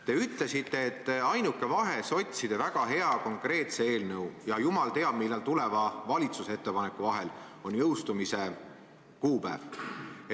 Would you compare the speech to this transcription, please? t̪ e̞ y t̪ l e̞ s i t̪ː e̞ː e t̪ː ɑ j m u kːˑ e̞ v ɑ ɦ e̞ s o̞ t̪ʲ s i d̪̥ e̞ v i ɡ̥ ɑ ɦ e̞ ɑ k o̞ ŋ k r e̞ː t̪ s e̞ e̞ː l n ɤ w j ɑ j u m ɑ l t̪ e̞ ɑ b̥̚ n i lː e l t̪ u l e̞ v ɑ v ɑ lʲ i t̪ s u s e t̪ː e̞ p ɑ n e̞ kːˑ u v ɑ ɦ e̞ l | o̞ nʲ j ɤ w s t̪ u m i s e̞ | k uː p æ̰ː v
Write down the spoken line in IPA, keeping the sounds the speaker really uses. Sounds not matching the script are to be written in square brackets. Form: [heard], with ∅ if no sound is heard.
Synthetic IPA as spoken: t̪ e̞ y t̪ l e̞ s i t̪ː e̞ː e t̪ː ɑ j [n] u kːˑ e̞ v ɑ ɦ e̞ s o̞ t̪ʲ s i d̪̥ e̞ v [æ] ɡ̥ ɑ ɦ e̞ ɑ k o̞ ŋ k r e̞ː t̪ s e̞ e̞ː l n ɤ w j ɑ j u m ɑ l t̪ e̞ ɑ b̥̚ [m] i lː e l t̪ u l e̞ v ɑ v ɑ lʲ i t̪ s u s e t̪ː e̞ p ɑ n e̞ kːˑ u v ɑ ɦ e̞ l | o̞ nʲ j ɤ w s t̪ u m i s e̞ | k uː p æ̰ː v